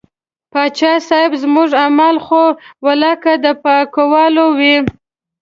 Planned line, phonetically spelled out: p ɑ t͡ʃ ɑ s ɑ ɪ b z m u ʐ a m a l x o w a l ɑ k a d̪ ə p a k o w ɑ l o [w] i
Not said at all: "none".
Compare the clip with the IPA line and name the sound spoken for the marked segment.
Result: w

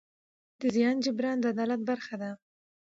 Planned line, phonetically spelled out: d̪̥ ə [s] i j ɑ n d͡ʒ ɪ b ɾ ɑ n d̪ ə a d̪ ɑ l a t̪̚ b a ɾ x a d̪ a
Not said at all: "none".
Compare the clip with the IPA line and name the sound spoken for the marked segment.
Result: z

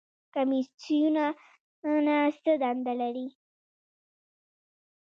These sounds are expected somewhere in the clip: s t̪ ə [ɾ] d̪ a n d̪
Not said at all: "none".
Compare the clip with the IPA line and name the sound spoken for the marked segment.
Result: none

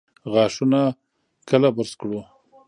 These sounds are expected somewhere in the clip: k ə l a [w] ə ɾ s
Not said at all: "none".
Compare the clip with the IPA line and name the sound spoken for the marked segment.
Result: b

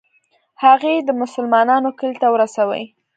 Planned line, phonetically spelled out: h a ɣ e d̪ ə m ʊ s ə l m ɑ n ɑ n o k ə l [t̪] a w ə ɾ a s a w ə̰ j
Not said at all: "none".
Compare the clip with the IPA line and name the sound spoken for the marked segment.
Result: t̪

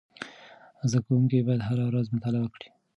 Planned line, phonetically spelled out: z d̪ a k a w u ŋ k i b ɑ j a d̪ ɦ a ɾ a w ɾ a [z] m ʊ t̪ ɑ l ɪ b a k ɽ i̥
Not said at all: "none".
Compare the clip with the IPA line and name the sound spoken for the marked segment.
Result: z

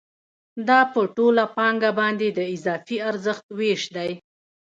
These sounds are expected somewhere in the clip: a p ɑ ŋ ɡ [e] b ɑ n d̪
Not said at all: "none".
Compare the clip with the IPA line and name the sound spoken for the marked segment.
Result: a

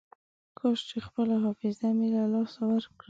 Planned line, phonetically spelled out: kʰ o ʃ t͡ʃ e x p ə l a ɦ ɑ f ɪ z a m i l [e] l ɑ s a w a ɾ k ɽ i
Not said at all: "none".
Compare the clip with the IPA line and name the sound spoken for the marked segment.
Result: a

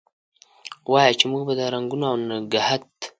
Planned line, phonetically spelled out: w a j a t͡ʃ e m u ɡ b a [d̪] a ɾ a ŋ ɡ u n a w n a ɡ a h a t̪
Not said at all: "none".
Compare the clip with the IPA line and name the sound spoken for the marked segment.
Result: d̪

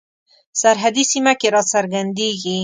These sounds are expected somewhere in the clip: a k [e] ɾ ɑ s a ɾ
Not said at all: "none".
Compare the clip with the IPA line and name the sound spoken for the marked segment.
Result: e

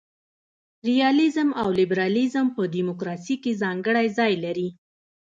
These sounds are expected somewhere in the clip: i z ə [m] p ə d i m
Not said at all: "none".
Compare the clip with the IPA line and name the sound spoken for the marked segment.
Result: m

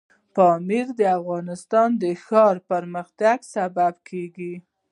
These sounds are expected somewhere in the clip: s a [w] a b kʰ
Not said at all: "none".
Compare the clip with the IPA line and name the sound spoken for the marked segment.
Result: b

